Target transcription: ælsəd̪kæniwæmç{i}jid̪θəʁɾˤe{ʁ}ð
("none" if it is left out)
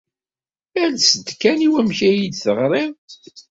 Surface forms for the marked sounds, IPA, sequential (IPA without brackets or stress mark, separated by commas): æ, none